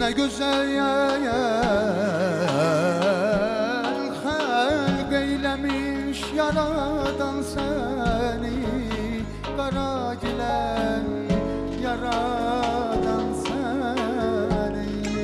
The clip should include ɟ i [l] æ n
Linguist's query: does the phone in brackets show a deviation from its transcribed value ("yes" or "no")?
no